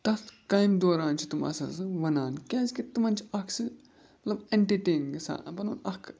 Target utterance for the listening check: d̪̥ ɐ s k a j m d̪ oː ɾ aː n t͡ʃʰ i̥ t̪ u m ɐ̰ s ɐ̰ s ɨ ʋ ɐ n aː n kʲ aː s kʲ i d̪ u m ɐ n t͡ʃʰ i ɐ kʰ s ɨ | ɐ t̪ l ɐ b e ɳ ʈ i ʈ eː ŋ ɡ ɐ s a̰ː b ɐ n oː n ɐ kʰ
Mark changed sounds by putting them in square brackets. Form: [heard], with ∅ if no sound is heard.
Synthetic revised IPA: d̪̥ ɐ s k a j m d̪ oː ɾ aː n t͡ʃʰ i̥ t̪ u m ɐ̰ s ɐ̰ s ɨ ʋ ɐ n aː n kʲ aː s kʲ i [t̪] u m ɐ n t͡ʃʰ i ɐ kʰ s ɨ | ɐ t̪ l ɐ b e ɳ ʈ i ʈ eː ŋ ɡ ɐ s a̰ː b ɐ n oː n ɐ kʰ